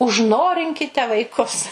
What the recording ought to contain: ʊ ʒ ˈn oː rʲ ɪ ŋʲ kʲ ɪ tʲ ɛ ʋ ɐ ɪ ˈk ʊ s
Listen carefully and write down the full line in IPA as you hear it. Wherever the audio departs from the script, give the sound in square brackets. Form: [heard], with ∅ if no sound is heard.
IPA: ʊ ʒ ˈn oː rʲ ɪ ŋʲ kʲ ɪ tʲ ɛ ʋ ɐ ɪ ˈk ʊ s